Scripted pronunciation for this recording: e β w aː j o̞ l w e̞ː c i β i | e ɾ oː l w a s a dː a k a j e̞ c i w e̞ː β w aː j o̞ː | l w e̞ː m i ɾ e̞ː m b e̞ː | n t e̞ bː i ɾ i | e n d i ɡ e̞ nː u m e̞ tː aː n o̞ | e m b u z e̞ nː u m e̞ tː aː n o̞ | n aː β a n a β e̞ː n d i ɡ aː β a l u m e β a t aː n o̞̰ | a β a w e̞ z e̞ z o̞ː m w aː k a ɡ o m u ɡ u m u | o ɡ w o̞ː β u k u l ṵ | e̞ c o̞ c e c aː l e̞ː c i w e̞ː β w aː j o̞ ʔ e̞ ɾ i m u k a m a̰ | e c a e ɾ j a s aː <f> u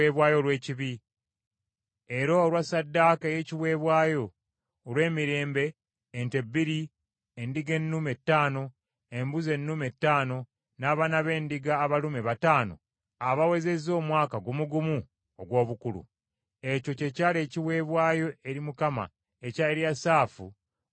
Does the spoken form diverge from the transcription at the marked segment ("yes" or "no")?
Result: no